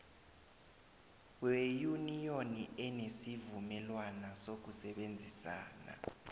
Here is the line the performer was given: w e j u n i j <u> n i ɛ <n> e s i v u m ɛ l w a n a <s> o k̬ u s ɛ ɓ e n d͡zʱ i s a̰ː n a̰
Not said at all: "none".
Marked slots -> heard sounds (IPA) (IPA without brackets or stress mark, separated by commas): o, n, s